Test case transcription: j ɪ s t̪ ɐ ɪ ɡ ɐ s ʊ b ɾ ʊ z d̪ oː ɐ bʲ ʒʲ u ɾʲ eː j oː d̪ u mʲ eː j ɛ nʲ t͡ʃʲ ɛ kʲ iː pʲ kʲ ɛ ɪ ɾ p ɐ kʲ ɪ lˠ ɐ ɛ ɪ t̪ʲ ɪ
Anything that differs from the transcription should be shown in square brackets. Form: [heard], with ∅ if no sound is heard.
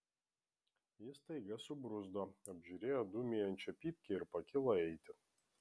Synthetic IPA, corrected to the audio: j ɪ s t̪ ɐ ɪ ɡ ɐ s ʊ b ɾ ʊ z d̪ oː ɐ bʲ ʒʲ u ɾʲ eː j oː d̪ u mʲ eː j ɛ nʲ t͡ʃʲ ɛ [pʲ] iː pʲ kʲ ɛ ɪ ɾ p ɐ kʲ ɪ lˠ ɐ ɛ ɪ t̪ʲ ɪ